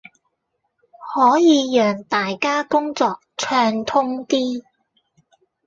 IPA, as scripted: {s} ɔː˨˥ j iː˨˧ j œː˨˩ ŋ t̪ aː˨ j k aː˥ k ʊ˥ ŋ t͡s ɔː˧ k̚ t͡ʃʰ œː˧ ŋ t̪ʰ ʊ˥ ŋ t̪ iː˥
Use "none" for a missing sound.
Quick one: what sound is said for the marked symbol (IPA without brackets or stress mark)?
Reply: h